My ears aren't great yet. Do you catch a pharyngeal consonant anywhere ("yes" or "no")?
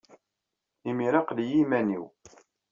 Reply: no